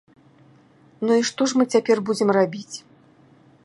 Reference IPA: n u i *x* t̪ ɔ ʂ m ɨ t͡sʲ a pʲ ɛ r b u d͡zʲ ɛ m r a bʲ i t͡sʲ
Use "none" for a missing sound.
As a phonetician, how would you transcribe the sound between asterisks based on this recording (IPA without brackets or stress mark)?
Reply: ʂ